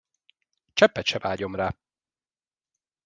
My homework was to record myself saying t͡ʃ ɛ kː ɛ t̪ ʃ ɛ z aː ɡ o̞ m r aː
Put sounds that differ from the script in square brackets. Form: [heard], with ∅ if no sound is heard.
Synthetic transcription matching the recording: t͡ʃ ɛ [pː] ɛ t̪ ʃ ɛ [v] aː [ɟ] o̞ m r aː